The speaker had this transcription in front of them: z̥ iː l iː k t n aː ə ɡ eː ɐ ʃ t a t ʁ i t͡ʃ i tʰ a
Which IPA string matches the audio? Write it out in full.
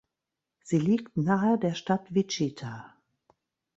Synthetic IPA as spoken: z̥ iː l iː k t n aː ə d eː ɐ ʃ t a t v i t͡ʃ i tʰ a